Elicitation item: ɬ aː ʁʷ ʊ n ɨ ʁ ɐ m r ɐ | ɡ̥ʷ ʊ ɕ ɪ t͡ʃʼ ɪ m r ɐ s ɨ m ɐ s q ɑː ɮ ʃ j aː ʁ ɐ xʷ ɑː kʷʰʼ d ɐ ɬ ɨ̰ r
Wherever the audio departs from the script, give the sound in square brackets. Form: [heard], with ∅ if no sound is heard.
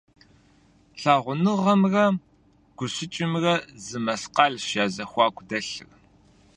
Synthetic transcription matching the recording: ɬ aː ʁʷ ʊ n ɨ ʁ ɐ m r ɐ | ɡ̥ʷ ʊ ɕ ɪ t͡ʃʼ ɪ m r ɐ [z] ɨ m ɐ s q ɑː ɮ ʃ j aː [z] ɐ xʷ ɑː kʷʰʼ d ɐ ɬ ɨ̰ r